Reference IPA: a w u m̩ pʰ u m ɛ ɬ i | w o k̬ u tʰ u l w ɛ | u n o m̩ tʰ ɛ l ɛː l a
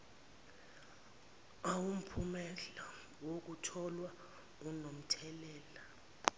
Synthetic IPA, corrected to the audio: a w u m̩ pʰ u m ɛ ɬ a | w o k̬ u tʰ ɔ l w a | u n o m̩ tʰ ɛ l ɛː l a